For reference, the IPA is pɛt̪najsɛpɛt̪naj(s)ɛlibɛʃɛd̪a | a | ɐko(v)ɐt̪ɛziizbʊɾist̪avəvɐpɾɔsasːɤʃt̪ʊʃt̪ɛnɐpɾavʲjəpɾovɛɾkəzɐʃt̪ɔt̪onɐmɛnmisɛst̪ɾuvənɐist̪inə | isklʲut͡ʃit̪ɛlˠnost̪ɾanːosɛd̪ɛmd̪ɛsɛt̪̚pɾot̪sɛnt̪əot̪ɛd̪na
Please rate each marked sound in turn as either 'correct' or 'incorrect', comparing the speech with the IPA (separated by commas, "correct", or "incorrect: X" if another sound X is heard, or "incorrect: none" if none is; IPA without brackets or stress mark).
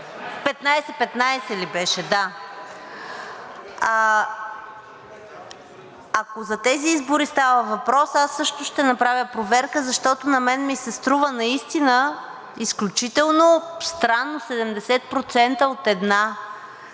correct, incorrect: z